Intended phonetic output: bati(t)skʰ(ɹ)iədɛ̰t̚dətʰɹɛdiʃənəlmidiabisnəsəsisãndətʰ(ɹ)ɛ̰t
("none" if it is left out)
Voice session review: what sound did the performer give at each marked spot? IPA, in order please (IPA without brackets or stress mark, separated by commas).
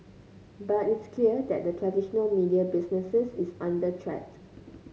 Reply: t, l, ɹ